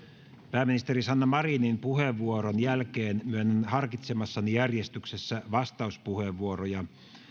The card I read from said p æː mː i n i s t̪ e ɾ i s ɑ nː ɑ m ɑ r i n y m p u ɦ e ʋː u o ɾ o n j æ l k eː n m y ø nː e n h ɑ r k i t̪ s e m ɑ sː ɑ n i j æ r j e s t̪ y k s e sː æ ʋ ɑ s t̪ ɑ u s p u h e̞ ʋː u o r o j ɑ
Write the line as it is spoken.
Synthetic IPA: p æː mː i n i s t̪ e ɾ i s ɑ nː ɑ m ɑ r i n i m p u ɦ e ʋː u o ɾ o n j æ l k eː n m y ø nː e n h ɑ r k i t̪ s e m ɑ sː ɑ n i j æ r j e s t̪ y k s e sː æ ʋ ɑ s t̪ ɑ u s p u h e̞ ʋː u o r o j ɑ